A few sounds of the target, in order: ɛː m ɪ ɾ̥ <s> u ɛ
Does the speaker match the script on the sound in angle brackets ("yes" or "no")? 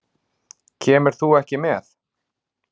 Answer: no